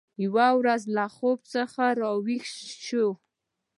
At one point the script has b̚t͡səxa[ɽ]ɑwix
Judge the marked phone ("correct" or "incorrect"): incorrect